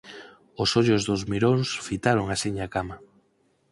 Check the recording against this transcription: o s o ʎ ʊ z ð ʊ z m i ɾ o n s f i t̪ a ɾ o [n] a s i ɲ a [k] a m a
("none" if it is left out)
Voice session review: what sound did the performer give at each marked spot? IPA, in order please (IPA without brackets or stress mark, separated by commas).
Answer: ŋ, k